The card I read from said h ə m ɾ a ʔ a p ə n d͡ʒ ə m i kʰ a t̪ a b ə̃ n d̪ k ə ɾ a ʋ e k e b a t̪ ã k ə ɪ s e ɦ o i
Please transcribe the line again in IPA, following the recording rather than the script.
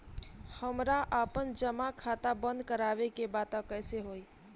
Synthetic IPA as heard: h ə m ɾ a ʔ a p ə n d͡ʒ ə m a kʰ a t̪ a b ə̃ n d̪ k ə ɾ a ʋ e k e b a t̪ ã k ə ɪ s e ɦ o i